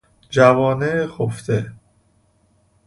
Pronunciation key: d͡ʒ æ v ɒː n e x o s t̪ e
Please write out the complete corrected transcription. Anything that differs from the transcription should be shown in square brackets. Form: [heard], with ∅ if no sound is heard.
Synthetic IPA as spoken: d͡ʒ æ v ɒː n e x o [f] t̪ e